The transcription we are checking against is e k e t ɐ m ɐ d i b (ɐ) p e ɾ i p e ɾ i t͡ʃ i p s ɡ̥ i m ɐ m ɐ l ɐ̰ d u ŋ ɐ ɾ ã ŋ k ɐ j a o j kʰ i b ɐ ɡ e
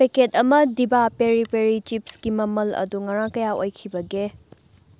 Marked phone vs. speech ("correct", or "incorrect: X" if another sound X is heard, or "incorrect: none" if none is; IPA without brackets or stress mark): incorrect: a